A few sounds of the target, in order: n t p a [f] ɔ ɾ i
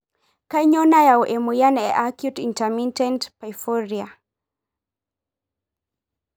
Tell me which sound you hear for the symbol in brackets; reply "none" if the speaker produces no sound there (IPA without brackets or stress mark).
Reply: f